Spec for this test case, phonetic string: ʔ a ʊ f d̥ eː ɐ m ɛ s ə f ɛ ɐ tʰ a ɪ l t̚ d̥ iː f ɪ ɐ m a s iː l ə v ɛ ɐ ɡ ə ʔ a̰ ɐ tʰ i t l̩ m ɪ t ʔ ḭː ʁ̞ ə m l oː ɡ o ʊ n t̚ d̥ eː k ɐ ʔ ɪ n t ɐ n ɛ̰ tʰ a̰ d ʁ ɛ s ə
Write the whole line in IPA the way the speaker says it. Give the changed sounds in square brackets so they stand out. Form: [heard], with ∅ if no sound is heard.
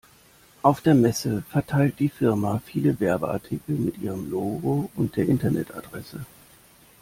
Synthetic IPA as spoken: ʔ a ʊ f d̥ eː ɐ m ɛ s ə f ɛ ɐ tʰ a ɪ l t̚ d̥ iː f ɪ ɐ m a [f] iː l ə v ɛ ɐ [b] ə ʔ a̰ ɐ tʰ i [k] l̩ m ɪ t ʔ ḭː ʁ̞ ə m l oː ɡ o ʊ n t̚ d̥ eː [∅] ɐ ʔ ɪ n t ɐ n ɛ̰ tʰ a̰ d ʁ ɛ s ə